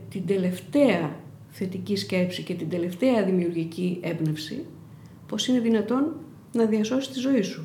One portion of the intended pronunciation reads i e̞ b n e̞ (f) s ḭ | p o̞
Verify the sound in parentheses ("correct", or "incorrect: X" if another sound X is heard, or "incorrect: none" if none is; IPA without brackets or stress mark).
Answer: correct